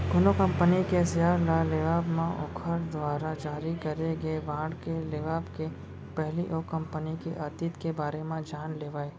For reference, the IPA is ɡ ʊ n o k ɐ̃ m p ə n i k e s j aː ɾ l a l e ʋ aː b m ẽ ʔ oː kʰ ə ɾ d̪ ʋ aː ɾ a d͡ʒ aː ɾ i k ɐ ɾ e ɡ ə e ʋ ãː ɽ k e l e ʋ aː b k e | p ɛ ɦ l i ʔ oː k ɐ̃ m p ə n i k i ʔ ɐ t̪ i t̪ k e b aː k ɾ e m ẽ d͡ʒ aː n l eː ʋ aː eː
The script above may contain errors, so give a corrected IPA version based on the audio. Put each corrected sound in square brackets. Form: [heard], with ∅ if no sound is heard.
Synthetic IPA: ɡ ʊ n o k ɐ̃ m p ə n i k e s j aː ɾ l a l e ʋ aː b m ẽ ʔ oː kʰ ə ɾ d̪ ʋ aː ɾ a d͡ʒ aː ɾ i k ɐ ɾ e ɡ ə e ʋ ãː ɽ k e l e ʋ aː b k e | p ɛ ɦ l i ʔ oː k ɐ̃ m p ə n i k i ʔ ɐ t̪ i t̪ k e b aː [∅] ɾ e m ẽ d͡ʒ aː n l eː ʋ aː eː